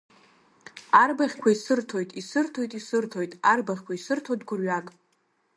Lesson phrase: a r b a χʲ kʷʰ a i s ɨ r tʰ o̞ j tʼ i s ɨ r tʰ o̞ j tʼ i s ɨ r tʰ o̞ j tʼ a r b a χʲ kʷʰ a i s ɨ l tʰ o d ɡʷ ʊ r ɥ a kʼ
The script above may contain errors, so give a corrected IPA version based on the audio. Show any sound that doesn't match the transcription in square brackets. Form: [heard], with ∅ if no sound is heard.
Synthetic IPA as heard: a r b a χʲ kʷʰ a i s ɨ r tʰ o̞ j tʼ i s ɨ r tʰ o̞ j tʼ i s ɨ r tʰ o̞ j tʼ a r b a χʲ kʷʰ a i s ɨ [r] tʰ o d ɡʷ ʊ r ɥ a kʼ